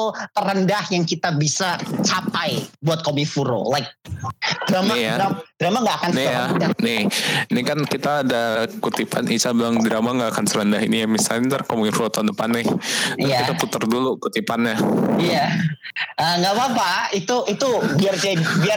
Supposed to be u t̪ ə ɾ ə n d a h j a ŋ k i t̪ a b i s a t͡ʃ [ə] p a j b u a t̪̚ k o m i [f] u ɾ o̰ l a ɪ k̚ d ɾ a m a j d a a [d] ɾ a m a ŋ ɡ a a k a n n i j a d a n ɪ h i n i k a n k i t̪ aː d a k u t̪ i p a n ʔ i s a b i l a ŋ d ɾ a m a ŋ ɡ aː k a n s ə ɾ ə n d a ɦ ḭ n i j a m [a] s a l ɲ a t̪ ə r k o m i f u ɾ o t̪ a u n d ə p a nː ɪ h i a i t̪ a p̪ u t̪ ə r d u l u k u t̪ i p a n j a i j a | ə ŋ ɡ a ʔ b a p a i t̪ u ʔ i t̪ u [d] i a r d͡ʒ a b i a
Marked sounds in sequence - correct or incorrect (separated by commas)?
incorrect, correct, correct, incorrect, incorrect